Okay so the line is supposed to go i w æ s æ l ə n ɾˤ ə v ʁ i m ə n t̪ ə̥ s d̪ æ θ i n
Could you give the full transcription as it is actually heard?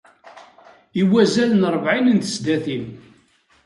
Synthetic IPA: i w æ z æ l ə n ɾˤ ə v ʕ i n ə n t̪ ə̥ s d̪ æ θ i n